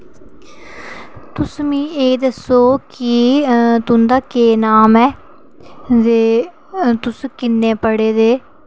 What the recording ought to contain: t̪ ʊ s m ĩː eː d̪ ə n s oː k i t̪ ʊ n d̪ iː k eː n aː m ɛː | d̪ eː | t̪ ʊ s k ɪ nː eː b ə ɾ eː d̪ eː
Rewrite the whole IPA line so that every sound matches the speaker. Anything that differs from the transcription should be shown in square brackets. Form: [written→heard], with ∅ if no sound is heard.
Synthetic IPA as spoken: t̪ ʊ s m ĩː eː d̪ ə [n→∅] s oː k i t̪ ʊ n d̪ [iː→aː] k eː n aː m ɛː | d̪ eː | t̪ ʊ s k ɪ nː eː [b→p] ə [ɾ→ɽ] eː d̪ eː